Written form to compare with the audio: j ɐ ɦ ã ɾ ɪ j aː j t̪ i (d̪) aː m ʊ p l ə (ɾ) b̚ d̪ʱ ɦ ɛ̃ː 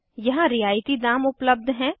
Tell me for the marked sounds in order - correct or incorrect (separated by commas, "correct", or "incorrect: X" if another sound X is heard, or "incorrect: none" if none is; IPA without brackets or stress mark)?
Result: correct, incorrect: none